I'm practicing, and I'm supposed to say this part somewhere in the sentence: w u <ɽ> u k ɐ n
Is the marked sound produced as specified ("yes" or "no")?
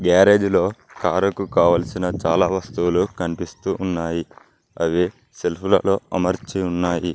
no